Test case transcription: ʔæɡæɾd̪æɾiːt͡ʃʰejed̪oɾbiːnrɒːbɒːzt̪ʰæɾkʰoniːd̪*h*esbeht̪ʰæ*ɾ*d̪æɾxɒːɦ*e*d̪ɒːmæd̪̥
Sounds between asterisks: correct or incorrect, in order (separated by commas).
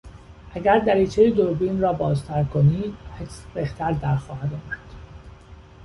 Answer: correct, correct, incorrect